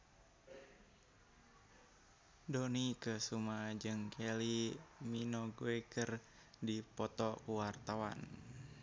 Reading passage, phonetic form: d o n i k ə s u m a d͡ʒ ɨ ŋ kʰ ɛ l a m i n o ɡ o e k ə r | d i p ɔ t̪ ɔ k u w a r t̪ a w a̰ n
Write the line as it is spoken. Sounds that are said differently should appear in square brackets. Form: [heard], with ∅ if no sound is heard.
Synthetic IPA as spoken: d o n i k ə s u m a d͡ʒ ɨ ŋ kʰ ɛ l [i] m i n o ɡ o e k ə r | d i p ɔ t̪ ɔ k u w a r t̪ a w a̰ n